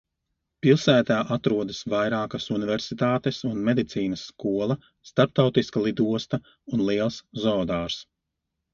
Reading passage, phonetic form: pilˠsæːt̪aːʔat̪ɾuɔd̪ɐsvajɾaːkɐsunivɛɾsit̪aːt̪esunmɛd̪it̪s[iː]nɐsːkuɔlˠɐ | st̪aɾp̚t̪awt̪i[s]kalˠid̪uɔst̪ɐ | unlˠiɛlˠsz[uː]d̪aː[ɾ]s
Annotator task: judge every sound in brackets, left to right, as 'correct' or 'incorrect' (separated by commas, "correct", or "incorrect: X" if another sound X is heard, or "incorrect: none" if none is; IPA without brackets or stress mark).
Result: correct, correct, incorrect: ɔː, correct